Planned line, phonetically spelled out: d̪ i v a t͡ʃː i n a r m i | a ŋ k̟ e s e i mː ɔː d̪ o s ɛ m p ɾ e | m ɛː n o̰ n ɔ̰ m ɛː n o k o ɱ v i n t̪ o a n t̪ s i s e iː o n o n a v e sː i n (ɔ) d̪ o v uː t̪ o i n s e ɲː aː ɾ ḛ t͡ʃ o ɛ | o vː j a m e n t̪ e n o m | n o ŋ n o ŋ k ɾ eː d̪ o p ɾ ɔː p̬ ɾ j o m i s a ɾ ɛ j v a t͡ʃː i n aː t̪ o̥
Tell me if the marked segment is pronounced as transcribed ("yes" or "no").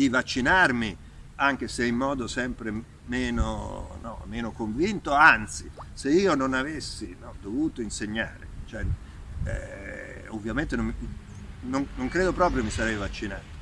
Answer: yes